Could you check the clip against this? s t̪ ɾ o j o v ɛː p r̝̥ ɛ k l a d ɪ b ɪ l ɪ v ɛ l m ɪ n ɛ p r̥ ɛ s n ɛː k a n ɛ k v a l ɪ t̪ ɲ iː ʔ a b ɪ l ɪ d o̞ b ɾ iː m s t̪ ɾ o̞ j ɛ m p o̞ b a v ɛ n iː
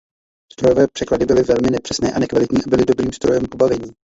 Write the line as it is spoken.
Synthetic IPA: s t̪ ɾ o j o v ɛː p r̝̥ ɛ k l a d ɪ b ɪ l ɪ v ɛ l m ɪ n ɛ p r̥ ɛ s n ɛː ʔ a n ɛ k v a l ɪ t̪ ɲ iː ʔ a b ɪ l ɪ d o̞ b ɾ iː m s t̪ ɾ o̞ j ɛ m p o̞ b a v ɛ ɲ iː